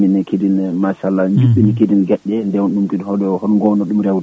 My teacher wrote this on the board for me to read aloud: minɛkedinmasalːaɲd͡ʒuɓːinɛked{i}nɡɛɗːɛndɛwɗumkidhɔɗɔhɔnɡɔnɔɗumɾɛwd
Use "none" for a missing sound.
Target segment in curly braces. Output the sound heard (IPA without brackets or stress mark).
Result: i